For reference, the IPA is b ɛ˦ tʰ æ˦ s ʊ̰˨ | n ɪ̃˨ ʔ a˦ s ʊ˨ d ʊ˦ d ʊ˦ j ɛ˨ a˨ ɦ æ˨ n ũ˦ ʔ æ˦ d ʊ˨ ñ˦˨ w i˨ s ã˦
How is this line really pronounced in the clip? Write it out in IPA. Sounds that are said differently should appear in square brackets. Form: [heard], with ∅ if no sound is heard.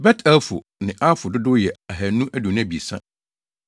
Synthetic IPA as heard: b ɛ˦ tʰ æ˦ [f] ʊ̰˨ | n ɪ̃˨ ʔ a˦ [f] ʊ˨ d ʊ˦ d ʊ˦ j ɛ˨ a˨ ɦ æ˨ n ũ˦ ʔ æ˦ d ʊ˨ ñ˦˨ [b] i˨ s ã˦